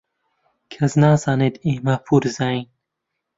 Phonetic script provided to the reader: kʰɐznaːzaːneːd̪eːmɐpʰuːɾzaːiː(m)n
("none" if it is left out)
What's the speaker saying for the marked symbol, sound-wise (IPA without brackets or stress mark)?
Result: none